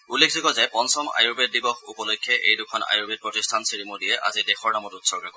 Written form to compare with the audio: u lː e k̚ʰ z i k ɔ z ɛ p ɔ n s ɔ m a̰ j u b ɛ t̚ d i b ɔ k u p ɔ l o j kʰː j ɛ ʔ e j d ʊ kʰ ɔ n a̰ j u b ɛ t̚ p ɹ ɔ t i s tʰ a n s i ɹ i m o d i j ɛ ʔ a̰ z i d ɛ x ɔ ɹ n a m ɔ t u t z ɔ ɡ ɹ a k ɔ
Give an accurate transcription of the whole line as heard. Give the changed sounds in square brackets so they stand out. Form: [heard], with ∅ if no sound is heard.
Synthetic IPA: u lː e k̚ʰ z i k ɔ z ɛ p ɔ n s ɔ m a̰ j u b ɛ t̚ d i b ɔ [x] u p ɔ l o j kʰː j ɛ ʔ e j d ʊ kʰ ɔ n a̰ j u b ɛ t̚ p ɹ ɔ t i s tʰ a n s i ɹ i m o d i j ɛ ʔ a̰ z i d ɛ x ɔ ɹ n a m ɔ t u t [s] ɔ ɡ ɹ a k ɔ